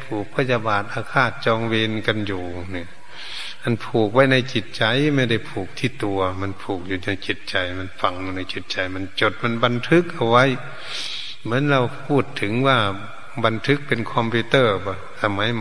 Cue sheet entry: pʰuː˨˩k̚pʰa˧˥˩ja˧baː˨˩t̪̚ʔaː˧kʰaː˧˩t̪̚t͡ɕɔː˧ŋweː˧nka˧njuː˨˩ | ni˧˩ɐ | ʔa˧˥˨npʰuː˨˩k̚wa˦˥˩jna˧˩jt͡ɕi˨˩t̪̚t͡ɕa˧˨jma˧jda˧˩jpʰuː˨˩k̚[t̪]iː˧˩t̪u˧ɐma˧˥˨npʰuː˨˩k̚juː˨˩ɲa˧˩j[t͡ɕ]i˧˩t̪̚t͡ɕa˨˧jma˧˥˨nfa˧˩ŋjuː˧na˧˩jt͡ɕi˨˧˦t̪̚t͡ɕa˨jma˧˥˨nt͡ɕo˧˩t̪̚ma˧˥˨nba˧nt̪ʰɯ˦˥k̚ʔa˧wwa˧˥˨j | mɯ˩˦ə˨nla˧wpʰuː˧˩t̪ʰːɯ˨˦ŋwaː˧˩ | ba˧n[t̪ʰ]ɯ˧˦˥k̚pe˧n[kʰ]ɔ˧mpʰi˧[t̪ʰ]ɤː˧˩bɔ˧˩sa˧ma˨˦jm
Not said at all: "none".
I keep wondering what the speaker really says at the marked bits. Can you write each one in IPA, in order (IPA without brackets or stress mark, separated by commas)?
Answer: t̪ʰ, t͡ɕ, t̪ʰ, kʰ, t̪